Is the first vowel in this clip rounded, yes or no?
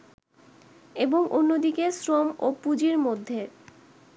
no